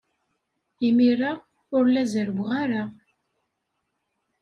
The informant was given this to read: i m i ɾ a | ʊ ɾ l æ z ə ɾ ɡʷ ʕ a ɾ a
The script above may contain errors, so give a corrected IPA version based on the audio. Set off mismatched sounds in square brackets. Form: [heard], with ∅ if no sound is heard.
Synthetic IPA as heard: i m i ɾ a | ʊ ɾ l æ z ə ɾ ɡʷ [ʁ] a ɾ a